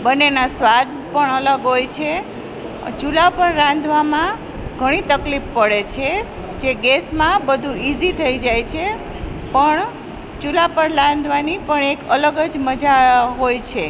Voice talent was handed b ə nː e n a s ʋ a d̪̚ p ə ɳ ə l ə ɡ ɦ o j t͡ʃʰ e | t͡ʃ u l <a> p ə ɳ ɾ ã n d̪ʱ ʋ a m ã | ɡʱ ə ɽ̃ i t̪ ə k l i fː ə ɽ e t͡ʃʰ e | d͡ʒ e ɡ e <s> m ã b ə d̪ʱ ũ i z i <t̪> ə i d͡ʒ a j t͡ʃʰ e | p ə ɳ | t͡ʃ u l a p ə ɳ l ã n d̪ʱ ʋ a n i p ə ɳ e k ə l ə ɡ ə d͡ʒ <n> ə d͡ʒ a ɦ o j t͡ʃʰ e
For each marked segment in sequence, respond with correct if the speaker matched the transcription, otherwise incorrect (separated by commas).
correct, correct, incorrect, incorrect